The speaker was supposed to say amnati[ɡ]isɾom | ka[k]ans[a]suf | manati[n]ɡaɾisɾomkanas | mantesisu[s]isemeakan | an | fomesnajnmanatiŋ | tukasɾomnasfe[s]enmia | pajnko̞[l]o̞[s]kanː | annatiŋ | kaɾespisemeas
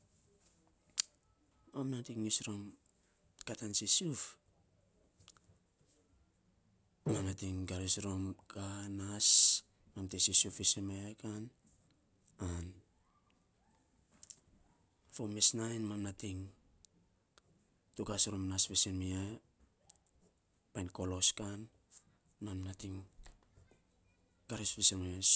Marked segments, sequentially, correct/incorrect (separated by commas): incorrect, incorrect, incorrect, incorrect, incorrect, correct, correct, correct